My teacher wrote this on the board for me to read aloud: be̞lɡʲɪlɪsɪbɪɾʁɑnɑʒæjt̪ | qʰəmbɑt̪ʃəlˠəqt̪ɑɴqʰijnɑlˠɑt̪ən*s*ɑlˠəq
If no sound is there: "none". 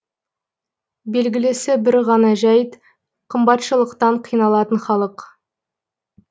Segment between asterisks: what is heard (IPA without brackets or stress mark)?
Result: χ